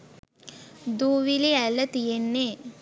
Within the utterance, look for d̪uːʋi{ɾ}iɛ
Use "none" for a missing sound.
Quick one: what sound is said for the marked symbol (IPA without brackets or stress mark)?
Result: l